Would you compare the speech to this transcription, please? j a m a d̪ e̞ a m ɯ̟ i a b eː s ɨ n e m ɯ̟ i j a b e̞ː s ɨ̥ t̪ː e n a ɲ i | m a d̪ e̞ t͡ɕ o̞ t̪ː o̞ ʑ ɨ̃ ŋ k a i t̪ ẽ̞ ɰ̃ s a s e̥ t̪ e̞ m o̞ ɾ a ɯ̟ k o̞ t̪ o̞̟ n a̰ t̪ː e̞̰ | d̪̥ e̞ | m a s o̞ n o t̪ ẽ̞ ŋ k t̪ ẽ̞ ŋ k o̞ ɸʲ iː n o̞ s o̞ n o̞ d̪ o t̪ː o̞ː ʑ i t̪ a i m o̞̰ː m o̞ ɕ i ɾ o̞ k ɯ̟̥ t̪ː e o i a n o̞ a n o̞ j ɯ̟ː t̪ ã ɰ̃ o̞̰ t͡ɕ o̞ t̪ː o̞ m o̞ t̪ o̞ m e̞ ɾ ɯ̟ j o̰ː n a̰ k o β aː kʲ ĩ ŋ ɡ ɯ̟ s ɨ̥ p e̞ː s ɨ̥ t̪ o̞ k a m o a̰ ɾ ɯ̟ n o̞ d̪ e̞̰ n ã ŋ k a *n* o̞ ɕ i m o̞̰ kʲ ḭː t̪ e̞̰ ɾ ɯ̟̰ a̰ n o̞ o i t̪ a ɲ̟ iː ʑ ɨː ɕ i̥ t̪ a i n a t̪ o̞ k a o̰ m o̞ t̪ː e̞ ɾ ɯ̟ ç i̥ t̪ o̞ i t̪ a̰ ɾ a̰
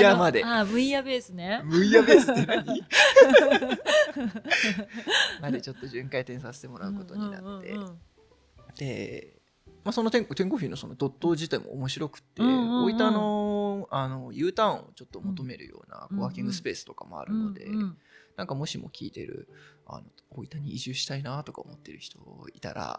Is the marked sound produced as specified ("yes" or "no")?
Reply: no